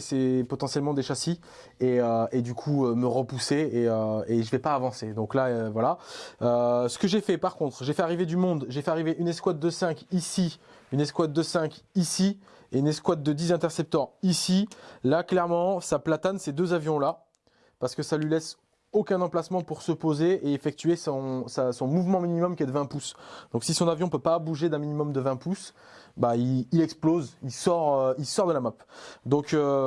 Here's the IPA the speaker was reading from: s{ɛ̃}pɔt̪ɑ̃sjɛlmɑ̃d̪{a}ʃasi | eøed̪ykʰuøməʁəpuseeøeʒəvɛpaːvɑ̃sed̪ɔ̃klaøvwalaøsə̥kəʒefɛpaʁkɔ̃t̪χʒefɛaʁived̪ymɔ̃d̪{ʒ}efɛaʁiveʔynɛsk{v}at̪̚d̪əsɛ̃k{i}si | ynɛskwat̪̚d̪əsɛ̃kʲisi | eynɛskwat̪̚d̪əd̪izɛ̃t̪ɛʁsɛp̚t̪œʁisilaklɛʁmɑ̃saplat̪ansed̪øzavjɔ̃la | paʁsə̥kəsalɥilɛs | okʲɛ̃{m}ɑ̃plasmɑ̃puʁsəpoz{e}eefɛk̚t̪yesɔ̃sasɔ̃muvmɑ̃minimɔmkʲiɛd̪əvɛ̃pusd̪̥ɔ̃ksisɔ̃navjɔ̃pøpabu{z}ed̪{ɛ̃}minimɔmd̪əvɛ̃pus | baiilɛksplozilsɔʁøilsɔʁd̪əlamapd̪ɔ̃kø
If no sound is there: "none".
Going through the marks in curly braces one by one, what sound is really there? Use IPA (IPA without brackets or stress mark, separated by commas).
ɛ, e, ʒ, w, i, n, e, ʒ, ɛ̃